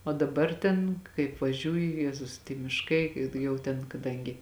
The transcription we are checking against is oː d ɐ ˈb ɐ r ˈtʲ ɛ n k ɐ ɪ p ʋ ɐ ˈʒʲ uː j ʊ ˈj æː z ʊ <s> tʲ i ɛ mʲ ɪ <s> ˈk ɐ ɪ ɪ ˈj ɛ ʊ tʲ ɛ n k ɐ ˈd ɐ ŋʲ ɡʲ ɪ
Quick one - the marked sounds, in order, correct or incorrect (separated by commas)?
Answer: correct, incorrect